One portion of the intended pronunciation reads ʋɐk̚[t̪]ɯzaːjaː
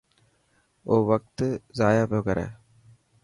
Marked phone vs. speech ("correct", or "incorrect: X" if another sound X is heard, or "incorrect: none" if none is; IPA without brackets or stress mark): correct